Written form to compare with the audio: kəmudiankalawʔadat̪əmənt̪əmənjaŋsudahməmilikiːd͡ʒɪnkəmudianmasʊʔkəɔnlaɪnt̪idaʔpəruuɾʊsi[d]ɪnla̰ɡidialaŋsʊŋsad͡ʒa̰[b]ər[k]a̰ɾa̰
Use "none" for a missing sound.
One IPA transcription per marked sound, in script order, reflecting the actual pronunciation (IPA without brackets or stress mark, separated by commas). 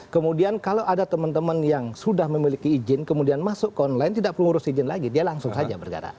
d͡ʒ, b, ɡ